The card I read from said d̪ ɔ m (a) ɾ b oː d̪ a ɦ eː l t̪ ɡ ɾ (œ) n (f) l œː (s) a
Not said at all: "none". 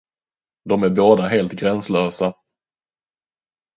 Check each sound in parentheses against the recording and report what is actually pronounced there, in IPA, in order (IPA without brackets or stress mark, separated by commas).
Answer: æ, ɛ, s, s